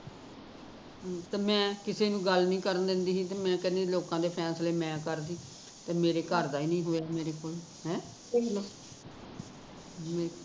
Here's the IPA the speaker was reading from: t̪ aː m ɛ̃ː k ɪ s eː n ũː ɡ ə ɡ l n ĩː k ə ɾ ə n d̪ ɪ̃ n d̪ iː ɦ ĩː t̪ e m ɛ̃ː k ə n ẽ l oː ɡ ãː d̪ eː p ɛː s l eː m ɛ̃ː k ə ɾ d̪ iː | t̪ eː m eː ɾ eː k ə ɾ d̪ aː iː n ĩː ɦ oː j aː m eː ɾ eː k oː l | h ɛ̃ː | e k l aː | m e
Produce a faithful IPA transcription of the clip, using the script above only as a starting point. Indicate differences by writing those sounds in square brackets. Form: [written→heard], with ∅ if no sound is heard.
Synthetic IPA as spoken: t̪ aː m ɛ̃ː k ɪ s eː n ũː ɡ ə [ɡ→∅] l n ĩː k ə ɾ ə n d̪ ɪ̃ n d̪ iː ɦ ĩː t̪ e m ɛ̃ː k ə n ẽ l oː [ɡ→k] ãː d̪ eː [p→pʰ] ɛː s l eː m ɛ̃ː k ə ɾ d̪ iː | t̪ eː m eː ɾ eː k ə ɾ d̪ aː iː n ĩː ɦ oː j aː m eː ɾ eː k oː l | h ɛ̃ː | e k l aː | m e

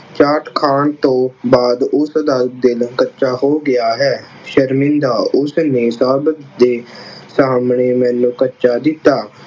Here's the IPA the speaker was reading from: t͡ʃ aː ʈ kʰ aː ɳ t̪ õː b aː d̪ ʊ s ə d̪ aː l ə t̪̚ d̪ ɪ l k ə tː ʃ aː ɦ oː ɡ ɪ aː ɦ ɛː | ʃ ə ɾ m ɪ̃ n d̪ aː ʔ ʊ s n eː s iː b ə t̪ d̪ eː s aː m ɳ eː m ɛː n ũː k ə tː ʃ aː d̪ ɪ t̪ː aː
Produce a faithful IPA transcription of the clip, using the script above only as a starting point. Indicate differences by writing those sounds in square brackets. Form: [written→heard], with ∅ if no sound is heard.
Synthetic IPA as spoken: t͡ʃ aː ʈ kʰ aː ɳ t̪ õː b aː d̪ ʊ s ə d̪ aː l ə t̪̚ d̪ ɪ l k ə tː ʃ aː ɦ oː ɡ ɪ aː ɦ ɛː | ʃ ə ɾ m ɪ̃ n d̪ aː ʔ ʊ s n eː s [iː→aː] b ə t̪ d̪ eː s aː m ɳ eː m ɛː n ũː k ə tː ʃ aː d̪ ɪ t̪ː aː

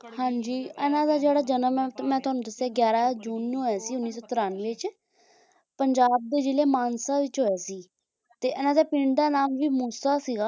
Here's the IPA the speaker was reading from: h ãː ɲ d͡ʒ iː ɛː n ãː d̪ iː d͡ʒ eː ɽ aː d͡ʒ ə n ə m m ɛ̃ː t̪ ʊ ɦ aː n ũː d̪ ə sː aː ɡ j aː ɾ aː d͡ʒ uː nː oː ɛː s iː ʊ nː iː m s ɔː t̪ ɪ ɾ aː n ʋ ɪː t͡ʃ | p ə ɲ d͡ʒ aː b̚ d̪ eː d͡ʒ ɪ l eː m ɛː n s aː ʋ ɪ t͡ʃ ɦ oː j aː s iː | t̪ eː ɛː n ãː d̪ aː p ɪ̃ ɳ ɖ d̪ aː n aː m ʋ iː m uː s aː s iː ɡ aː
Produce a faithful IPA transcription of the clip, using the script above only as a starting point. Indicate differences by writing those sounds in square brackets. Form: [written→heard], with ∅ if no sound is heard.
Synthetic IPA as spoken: h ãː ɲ d͡ʒ iː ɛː n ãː d̪ [iː→aː] d͡ʒ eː ɽ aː d͡ʒ ə n ə m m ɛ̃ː t̪ ʊ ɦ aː n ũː d̪ ə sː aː ɡ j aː ɾ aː d͡ʒ uː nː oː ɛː s iː ʊ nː iː [m→∅] s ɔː t̪ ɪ ɾ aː n ʋ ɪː t͡ʃ | p ə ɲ d͡ʒ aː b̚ d̪ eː d͡ʒ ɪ l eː m [ɛː→aː] n s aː ʋ ɪ t͡ʃ ɦ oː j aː s iː | t̪ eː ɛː n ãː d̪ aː p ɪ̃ ɳ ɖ d̪ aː n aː m ʋ iː m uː s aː s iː ɡ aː

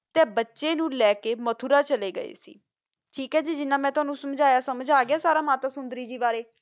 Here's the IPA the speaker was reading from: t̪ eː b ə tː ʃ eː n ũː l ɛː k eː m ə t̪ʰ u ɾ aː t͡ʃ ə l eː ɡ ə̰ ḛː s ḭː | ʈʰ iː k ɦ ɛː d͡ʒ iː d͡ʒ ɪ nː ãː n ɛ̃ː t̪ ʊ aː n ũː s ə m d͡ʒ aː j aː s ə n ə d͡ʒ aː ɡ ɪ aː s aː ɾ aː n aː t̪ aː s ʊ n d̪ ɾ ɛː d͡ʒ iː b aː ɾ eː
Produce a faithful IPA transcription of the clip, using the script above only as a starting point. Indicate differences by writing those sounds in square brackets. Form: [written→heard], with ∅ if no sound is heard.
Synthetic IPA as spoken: t̪ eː b ə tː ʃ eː n ũː l ɛː k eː m ə t̪ʰ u ɾ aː t͡ʃ ə l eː ɡ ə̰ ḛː s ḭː | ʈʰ iː k ɦ ɛː d͡ʒ iː d͡ʒ ɪ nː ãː [n→m] ɛ̃ː t̪ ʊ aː n ũː s ə m d͡ʒ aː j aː s ə [n→m] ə d͡ʒ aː ɡ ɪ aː s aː ɾ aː [n→m] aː t̪ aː s ʊ n d̪ ɾ [ɛː→iː] d͡ʒ iː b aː ɾ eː

